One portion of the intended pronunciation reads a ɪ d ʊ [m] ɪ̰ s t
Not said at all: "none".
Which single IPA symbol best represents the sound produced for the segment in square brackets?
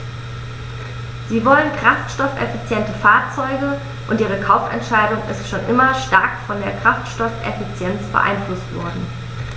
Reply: ŋ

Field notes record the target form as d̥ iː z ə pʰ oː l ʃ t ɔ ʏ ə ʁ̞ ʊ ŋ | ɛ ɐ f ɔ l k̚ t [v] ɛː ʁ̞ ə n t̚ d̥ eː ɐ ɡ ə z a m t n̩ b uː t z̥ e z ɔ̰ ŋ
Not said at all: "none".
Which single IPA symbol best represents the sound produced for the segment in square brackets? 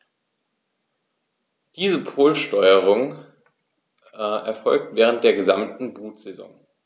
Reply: v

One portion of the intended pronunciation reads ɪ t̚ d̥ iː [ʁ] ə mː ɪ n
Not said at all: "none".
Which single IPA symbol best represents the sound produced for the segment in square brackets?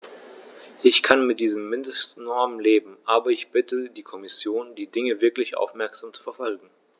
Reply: z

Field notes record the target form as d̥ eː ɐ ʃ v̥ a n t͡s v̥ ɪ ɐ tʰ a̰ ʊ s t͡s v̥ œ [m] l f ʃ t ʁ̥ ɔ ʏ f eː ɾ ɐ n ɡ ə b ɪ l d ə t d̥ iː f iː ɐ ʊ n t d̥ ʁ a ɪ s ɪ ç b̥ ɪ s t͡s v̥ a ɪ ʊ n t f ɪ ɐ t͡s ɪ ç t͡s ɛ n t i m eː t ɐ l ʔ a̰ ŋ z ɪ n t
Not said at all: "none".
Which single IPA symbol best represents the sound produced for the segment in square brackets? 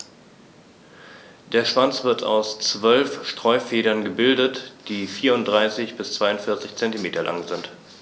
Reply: none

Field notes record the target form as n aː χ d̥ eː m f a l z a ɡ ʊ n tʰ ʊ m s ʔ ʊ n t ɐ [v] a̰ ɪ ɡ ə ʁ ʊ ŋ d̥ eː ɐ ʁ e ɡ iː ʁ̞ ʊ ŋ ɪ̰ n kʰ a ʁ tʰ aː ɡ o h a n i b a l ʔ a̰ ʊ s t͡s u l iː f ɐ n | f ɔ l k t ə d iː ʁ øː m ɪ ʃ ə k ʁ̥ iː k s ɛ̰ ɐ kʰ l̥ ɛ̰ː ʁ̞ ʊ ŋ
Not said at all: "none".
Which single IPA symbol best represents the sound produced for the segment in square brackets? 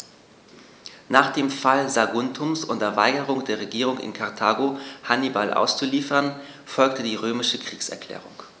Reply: v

